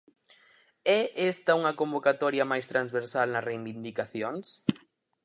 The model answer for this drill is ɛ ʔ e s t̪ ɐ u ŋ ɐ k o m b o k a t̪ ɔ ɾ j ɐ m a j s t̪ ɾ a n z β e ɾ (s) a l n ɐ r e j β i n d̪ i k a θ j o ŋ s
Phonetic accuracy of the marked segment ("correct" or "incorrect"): correct